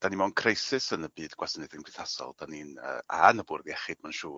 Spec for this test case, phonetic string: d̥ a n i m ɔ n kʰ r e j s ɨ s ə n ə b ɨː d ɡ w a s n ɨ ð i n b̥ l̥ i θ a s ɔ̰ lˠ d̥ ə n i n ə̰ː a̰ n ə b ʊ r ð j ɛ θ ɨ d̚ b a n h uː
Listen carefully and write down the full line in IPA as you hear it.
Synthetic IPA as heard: d̥ a n i m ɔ n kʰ r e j s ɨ s ə n ə b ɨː d ɡ w a s n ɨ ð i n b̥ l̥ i θ a s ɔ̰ lˠ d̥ a n i n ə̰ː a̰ n ə b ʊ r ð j ɛ χ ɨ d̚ m a n ʃ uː